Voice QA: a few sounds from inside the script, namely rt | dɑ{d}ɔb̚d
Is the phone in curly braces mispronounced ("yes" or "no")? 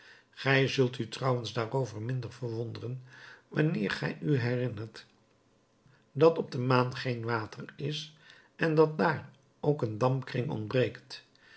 yes